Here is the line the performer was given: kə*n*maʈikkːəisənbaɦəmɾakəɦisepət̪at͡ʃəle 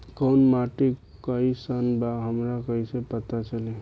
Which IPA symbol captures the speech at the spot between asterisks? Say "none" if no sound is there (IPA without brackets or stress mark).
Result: n